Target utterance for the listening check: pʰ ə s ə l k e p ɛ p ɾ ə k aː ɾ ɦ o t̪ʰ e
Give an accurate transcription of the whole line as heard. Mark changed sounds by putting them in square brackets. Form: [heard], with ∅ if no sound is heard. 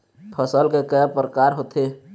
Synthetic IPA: pʰ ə s ə l k e [k] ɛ p ɾ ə k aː ɾ ɦ o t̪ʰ e